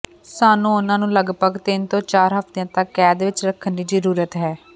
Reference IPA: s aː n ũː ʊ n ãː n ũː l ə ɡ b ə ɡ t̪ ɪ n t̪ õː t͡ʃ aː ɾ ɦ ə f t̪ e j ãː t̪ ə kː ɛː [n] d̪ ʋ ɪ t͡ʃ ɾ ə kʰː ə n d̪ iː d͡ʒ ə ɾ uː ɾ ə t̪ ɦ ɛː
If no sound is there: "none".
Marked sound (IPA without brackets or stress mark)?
none